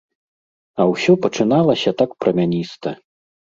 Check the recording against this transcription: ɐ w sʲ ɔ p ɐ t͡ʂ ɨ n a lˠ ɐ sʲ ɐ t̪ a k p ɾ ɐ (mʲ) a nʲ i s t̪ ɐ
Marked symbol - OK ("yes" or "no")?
yes